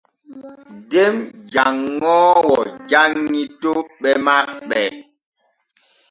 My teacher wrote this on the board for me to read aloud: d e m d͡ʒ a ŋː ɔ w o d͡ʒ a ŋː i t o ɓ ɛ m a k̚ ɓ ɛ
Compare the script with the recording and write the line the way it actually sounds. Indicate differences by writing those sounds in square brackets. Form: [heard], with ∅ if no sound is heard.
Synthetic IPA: d e m d͡ʒ a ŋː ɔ w [ɔ] d͡ʒ a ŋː i t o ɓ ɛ m a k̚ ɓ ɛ